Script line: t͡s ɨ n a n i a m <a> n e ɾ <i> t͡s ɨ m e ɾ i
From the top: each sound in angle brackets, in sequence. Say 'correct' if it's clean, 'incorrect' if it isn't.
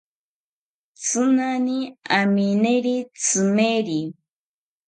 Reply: incorrect: i, correct

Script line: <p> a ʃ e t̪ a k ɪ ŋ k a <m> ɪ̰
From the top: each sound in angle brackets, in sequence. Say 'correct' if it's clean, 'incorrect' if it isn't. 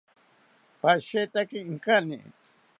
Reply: correct, incorrect: n

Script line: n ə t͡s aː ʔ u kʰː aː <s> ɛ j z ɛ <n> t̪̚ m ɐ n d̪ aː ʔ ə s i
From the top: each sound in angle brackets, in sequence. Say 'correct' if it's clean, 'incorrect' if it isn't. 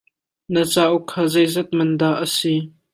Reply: incorrect: z, incorrect: none

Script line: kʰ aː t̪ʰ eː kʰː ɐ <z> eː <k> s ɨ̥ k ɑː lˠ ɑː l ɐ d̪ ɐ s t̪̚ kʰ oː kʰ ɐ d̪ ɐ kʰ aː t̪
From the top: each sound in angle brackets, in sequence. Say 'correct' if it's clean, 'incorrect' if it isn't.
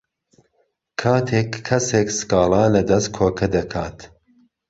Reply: incorrect: s, correct

